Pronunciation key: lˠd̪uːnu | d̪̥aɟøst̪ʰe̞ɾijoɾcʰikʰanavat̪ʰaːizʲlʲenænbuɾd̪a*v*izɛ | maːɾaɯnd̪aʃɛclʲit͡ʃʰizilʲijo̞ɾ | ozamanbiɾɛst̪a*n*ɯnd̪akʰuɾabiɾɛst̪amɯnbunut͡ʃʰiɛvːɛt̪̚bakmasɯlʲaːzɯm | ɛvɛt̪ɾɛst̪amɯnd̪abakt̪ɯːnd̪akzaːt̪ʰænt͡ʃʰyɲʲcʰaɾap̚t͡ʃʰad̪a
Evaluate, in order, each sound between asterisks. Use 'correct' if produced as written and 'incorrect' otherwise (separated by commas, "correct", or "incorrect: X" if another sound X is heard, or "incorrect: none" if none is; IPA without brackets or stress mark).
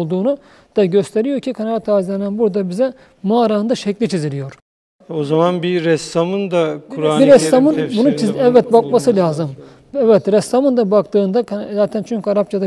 incorrect: b, incorrect: m